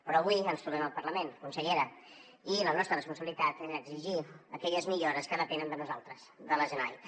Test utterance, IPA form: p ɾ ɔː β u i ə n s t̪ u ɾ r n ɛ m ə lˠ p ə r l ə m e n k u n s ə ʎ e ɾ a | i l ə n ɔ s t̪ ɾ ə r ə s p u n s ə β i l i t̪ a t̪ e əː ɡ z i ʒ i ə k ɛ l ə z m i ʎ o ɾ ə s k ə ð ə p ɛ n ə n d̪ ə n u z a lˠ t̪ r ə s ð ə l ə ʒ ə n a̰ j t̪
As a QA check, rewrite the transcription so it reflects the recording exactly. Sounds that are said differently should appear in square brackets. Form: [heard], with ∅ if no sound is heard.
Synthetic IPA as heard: p ɾ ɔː β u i ə n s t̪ u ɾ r n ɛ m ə lˠ p ə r l ə m e n k u n s ə ʎ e ɾ [ə] | i l ə n ɔ s t̪ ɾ ə r ə s p u n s ə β i l i t̪ a t̪ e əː ɡ z i ʒ i ə k ɛ [ʎ] ə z m i ʎ o ɾ ə s k ə ð ə p ɛ n ə n d̪ ə n u z a lˠ t̪ [ɾ] ə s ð ə l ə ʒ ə n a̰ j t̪